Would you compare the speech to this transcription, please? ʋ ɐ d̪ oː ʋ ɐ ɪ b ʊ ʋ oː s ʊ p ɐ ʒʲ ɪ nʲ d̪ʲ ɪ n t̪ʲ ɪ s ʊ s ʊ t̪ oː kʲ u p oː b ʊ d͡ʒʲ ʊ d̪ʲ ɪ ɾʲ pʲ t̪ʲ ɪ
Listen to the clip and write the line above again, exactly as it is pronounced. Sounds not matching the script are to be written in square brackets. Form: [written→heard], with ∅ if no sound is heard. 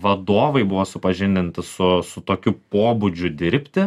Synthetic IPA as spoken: ʋ ɐ d̪ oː ʋ ɐ ɪ b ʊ ʋ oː s ʊ p ɐ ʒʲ ɪ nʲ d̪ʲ ɪ n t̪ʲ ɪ s ʊ s ʊ t̪ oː kʲ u p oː b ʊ d͡ʒʲ ʊ d̪ʲ ɪ ɾʲ pʲ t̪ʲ ɪ